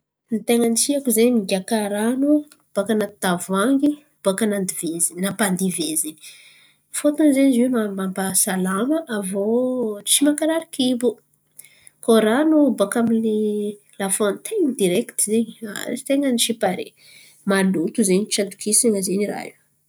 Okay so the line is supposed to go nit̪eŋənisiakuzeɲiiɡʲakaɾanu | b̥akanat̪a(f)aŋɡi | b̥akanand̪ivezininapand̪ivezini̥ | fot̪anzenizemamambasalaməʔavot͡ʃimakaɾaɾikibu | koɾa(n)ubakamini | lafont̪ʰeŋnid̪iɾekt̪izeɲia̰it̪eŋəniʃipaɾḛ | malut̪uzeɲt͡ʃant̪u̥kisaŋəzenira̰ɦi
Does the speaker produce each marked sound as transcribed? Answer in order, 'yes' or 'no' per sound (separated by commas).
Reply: no, yes